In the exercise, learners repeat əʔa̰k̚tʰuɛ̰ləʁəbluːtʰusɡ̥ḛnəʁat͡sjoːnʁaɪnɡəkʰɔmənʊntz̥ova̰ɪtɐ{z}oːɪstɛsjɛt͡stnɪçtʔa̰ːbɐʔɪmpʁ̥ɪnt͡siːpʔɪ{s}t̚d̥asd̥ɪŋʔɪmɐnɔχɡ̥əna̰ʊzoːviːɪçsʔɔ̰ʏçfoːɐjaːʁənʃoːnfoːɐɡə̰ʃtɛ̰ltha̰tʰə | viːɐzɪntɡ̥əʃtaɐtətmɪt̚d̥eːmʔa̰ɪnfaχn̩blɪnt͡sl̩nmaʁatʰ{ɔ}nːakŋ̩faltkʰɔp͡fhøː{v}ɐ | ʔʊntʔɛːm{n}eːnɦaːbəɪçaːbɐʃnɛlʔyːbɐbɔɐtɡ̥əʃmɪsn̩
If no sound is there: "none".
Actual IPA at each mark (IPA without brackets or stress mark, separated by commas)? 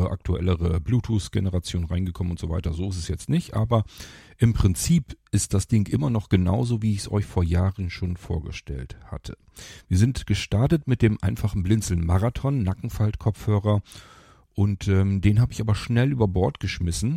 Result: z, s, ɔ, ʁ, d